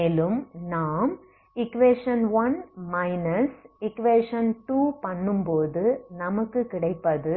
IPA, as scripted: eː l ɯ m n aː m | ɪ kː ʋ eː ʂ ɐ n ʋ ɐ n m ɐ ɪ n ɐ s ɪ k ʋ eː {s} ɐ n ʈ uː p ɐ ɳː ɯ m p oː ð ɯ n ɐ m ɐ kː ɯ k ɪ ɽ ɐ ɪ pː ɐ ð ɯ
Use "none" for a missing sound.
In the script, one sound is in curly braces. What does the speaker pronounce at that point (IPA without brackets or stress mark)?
ʂ